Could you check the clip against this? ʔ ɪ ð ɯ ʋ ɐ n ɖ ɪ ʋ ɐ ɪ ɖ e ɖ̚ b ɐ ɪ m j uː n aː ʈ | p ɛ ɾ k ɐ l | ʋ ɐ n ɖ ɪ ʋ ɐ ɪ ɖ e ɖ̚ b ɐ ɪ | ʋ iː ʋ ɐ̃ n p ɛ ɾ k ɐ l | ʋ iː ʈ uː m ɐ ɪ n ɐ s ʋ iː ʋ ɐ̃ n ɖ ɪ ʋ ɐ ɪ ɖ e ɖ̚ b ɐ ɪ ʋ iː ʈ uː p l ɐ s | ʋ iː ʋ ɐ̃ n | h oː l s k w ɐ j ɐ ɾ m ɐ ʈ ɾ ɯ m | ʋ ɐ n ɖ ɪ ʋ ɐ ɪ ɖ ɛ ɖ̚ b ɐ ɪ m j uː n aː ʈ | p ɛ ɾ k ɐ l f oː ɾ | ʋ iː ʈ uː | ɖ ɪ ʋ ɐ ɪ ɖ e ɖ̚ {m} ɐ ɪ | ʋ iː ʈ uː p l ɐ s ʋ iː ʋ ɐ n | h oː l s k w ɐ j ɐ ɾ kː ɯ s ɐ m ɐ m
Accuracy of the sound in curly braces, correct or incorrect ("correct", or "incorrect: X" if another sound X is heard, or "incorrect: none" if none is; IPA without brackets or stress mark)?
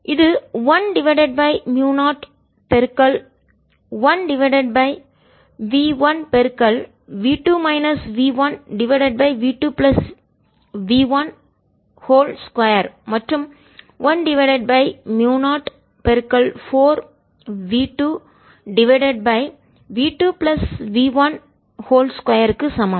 incorrect: b